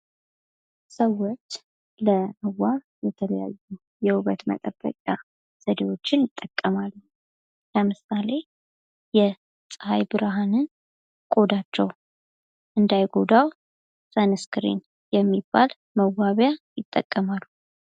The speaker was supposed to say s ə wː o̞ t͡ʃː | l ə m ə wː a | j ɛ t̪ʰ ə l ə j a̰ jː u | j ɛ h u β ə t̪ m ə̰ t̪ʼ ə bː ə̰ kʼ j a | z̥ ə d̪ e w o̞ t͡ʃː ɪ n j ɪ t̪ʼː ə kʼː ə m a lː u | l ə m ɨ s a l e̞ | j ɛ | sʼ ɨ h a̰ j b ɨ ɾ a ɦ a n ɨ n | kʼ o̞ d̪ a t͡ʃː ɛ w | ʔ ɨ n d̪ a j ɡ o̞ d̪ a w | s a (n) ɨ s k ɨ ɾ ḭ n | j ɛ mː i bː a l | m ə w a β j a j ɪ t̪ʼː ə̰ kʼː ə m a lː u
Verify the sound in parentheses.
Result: correct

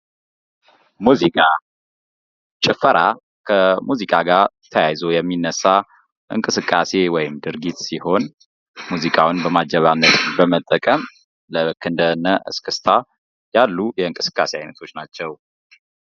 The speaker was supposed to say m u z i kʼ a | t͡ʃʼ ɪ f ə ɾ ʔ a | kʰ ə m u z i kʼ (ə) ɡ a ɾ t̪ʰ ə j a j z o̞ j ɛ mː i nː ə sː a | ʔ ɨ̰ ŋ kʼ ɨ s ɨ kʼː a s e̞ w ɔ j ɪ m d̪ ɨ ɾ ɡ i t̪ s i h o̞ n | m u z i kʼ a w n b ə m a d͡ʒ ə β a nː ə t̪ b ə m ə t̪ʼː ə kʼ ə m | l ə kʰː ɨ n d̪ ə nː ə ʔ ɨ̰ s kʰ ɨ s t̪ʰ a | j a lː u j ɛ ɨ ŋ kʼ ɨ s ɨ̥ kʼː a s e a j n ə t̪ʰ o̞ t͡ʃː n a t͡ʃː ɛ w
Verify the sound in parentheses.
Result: incorrect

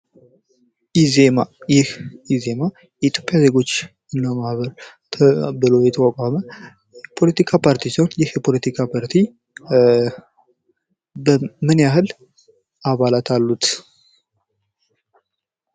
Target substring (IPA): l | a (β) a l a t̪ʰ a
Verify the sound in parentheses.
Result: correct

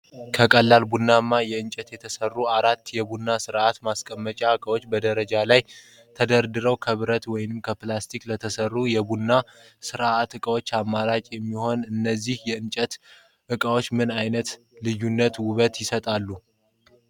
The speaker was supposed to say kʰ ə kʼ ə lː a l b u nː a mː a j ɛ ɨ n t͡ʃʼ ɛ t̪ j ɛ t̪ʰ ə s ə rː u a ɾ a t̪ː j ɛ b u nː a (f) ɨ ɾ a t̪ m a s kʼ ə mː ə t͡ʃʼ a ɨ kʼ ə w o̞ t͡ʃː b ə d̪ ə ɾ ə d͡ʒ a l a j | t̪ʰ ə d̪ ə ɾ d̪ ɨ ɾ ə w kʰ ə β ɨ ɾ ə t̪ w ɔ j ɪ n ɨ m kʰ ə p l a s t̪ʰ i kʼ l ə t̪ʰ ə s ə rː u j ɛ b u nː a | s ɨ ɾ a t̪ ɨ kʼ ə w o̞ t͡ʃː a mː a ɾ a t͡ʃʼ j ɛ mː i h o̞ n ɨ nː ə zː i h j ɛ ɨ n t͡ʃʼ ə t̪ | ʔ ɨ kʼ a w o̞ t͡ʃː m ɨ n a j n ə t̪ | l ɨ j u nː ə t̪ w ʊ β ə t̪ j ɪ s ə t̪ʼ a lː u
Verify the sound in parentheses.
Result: incorrect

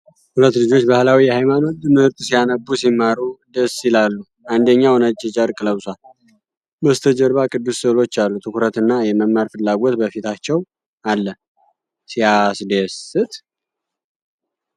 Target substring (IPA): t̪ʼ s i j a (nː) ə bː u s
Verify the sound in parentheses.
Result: incorrect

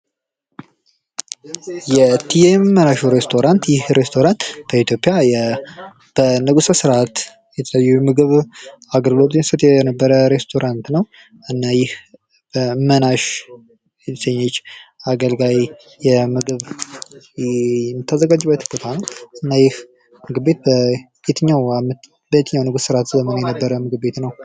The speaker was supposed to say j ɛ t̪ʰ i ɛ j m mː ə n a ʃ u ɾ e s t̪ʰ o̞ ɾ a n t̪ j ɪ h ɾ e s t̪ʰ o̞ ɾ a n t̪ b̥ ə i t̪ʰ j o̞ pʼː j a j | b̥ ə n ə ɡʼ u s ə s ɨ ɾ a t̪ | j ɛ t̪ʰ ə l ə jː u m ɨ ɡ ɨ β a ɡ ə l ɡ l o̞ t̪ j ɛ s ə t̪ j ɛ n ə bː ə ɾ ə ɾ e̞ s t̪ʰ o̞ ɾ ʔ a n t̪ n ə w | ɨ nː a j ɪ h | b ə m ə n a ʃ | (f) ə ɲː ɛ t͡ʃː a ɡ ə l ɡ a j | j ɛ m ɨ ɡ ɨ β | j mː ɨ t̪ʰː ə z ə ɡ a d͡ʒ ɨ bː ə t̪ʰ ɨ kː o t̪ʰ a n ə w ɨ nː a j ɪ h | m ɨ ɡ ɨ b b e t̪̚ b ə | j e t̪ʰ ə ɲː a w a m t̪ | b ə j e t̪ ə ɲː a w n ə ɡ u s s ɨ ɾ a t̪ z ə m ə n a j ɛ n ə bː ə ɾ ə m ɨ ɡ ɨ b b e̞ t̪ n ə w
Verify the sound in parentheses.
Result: incorrect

